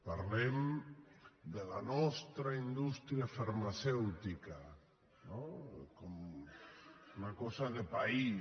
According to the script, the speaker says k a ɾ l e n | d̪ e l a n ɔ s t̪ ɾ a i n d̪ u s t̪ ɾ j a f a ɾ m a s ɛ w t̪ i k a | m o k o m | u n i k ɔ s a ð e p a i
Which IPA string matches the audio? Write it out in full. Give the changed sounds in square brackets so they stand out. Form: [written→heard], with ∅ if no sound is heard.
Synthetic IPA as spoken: [k→p] a ɾ l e [n→m] | d̪ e l a n ɔ s t̪ ɾ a i n d̪ u s t̪ ɾ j a f a ɾ m a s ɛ w t̪ i k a | [m→n] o k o m | u n [i→a] k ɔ s a ð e p a i